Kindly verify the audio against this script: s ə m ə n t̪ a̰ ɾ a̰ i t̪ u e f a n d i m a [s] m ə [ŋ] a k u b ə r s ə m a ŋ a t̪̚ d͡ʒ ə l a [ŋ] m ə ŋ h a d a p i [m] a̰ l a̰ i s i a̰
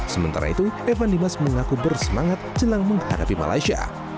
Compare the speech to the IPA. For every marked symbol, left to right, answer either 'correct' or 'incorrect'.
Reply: correct, correct, correct, correct

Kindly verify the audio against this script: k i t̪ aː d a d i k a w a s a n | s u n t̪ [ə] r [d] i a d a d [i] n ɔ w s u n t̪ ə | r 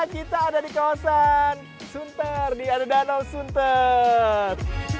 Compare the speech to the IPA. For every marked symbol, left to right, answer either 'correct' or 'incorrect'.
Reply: correct, correct, incorrect: a

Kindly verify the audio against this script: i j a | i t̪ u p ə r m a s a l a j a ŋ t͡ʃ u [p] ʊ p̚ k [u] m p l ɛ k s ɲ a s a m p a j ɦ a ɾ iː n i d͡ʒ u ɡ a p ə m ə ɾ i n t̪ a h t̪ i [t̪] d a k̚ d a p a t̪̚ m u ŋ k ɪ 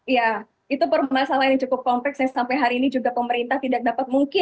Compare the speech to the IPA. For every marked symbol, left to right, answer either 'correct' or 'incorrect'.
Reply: incorrect: k, incorrect: ɔ, incorrect: none

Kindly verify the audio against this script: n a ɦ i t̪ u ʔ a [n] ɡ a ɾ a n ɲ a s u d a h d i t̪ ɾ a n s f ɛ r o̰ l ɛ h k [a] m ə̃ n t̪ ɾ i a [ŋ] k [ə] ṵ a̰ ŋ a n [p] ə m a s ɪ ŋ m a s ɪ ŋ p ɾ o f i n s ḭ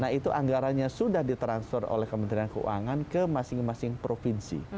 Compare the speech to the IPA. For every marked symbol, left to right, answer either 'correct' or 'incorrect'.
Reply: incorrect: ŋ, incorrect: ə, incorrect: n, correct, incorrect: k

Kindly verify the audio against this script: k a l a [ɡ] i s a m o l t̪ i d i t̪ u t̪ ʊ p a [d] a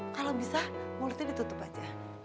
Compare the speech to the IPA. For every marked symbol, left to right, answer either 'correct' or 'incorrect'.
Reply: incorrect: b, incorrect: d͡ʒ

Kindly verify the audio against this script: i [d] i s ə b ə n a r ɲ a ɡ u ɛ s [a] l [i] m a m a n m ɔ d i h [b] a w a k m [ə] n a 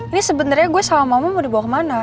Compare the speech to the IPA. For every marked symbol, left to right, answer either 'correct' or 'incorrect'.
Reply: incorrect: n, correct, incorrect: a, correct, incorrect: a

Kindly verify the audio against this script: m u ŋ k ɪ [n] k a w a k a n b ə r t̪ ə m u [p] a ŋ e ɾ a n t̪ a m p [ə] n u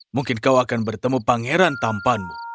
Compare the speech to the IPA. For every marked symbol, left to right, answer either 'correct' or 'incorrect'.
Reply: correct, correct, incorrect: a

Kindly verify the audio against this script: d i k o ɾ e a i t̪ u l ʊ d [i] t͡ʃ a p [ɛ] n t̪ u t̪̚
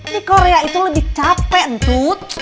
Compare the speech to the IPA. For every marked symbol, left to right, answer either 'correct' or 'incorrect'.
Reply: correct, correct

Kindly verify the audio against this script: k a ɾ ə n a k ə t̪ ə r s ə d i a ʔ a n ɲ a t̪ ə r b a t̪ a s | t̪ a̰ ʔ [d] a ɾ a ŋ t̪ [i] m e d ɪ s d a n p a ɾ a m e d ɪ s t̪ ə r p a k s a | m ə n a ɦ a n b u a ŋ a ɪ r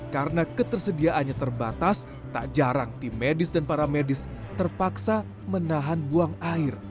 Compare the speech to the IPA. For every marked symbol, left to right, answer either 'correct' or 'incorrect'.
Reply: incorrect: d͡ʒ, correct

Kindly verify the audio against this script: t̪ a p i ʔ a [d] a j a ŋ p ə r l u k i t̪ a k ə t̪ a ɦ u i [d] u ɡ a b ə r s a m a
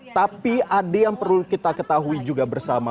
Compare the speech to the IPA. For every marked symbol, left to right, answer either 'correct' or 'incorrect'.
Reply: correct, incorrect: d͡ʒ

